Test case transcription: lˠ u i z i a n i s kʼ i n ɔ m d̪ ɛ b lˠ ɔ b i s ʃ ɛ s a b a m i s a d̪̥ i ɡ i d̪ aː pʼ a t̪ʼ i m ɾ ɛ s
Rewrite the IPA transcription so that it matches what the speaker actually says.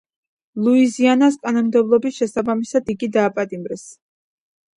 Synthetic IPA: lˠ u i z i a n a s kʼ a n ɔ m d̪ ɛ b lˠ ɔ b i s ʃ ɛ s a b a m i s a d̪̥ i ɡ i d̪ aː pʼ a t̪ʼ i m ɾ ɛ s